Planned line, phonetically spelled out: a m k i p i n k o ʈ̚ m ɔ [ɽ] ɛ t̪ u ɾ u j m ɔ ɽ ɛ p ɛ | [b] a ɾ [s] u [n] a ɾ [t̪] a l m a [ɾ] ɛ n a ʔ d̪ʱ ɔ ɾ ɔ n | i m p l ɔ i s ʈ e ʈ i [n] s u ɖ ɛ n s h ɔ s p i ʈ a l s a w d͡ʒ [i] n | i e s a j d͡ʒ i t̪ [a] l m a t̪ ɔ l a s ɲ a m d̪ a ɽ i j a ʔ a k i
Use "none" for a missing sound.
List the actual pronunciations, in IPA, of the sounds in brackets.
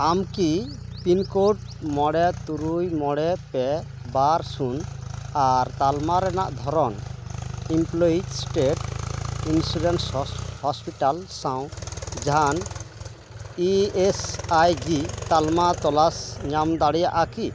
ɽ, b, s, n, t̪, ɾ, n, a, a

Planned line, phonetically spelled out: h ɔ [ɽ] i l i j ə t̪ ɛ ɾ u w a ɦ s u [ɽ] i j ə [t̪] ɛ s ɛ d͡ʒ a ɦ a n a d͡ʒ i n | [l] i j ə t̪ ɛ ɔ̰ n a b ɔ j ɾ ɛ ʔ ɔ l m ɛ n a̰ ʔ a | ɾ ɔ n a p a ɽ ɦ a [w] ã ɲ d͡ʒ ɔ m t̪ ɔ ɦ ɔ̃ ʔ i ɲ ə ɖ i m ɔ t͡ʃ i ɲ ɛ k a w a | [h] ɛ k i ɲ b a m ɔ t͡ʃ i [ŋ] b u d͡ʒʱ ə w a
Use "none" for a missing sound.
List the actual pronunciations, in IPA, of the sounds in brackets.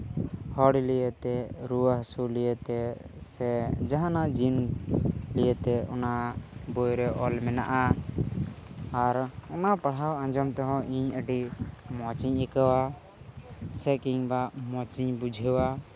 ɽ, l, t̪, l, w, s, ɲ

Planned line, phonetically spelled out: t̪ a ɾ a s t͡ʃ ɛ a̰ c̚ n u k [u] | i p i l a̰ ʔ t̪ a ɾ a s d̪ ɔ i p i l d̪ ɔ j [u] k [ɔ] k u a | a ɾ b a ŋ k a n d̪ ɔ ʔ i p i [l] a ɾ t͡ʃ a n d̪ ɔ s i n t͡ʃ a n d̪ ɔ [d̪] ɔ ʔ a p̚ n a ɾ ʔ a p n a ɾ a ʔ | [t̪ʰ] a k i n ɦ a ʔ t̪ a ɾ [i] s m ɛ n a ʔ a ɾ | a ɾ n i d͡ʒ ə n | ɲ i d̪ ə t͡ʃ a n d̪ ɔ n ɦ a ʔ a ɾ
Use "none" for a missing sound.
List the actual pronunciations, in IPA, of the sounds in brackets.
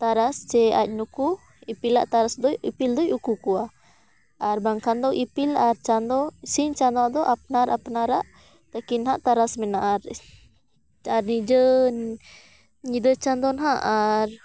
u, u, u, l, d̪, t̪, a

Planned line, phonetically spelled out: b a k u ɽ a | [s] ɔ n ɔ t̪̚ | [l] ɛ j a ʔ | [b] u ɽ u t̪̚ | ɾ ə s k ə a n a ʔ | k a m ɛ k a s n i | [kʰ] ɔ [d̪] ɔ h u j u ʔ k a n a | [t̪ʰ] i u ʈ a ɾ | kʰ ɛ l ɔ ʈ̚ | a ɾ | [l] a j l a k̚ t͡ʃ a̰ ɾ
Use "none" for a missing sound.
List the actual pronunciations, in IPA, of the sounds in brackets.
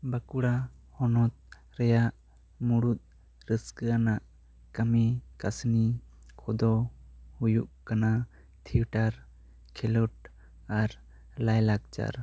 h, ɾ, m, kʰ, d̪, t̪ʰ, l

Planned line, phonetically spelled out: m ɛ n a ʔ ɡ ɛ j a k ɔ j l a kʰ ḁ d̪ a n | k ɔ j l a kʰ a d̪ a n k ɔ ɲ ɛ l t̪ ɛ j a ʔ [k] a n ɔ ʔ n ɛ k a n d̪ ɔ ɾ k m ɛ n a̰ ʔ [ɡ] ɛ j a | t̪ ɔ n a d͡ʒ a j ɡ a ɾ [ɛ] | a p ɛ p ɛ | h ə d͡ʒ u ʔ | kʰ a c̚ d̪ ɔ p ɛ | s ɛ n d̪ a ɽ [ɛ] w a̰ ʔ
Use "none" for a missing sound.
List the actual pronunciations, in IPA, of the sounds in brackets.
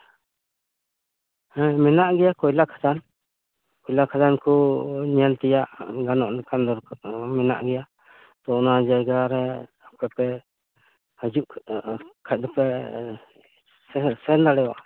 ɡ, ɡ, ɛ, ɛ

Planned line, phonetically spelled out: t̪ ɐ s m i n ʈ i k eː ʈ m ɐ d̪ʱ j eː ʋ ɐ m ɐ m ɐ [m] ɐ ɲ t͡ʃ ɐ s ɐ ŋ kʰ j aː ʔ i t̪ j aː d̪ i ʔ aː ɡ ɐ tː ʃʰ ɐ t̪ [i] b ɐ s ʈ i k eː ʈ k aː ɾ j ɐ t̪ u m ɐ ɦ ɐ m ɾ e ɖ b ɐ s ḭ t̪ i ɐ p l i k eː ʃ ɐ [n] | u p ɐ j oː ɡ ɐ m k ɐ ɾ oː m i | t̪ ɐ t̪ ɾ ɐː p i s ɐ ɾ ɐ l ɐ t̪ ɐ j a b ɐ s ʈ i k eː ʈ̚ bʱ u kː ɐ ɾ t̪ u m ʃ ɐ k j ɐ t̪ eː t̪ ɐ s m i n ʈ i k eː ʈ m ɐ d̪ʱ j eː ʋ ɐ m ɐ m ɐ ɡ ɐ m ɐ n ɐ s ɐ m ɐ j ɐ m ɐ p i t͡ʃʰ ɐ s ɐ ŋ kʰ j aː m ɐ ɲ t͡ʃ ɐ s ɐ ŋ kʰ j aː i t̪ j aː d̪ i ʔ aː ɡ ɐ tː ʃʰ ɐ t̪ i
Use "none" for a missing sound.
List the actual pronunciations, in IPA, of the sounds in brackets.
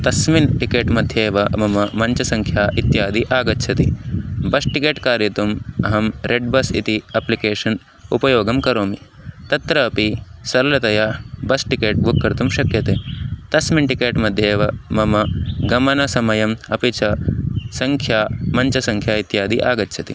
m, i, n

